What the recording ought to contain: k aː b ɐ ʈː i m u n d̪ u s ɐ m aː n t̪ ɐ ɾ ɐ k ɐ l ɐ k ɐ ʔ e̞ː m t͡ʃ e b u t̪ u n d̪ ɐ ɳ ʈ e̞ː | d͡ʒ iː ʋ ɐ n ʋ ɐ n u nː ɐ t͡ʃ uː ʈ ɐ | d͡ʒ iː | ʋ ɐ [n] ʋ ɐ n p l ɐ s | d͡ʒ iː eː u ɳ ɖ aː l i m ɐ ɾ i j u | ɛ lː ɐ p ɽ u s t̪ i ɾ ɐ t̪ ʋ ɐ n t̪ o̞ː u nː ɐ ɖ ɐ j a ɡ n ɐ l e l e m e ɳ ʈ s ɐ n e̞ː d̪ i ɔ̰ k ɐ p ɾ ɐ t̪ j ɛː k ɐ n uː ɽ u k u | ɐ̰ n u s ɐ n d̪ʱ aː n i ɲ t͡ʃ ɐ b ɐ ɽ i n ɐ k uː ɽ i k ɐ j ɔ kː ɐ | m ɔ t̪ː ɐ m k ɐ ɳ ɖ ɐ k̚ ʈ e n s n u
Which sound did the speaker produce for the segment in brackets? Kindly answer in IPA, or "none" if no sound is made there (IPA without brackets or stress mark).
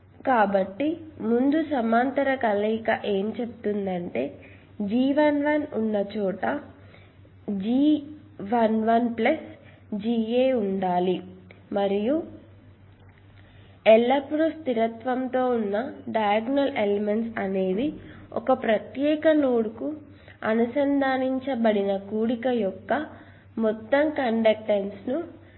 n